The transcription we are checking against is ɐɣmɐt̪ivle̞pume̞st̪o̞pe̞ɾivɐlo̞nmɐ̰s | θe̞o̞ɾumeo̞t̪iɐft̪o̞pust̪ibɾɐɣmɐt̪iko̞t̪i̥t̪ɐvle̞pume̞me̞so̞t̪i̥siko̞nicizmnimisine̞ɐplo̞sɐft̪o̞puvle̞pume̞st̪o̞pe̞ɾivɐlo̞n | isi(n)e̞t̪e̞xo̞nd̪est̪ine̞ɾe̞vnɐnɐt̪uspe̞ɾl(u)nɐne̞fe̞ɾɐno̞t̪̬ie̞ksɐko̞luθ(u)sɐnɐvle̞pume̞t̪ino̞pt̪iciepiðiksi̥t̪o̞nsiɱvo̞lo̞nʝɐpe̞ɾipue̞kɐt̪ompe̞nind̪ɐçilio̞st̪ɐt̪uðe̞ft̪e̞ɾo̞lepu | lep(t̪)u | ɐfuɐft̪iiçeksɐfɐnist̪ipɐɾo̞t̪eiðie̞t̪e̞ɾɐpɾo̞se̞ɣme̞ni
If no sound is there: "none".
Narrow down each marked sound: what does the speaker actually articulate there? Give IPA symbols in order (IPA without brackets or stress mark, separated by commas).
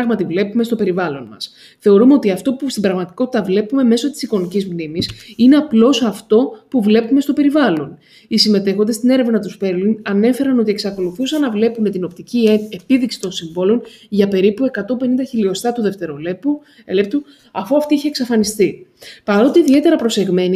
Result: m, u, u, t̪